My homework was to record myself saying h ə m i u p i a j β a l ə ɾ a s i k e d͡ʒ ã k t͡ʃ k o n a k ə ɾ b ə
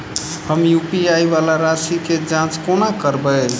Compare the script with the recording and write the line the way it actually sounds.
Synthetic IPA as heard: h ə m j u p i a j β a l a ɾ a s i k e d͡ʒ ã t͡ʃ k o n a k ə ɾ b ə